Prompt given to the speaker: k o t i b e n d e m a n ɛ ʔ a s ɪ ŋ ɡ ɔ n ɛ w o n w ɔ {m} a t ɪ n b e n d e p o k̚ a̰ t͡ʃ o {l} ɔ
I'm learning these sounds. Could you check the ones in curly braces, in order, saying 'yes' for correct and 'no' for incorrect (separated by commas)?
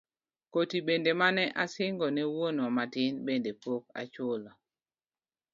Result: yes, yes